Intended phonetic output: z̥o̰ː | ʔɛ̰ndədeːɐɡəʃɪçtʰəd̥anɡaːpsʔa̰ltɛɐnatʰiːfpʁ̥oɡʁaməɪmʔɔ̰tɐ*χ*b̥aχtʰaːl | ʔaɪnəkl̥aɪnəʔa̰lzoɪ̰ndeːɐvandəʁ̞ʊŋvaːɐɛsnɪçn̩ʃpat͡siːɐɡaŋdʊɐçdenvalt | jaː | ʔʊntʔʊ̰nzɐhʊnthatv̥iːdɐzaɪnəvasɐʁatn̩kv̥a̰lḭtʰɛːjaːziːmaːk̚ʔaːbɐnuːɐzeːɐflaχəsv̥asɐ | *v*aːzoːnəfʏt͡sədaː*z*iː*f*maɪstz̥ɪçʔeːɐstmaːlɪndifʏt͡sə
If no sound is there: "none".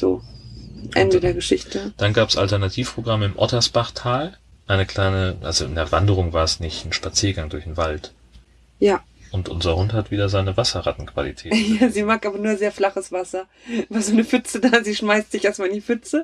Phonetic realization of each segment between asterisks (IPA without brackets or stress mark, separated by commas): s, v, z, ʃ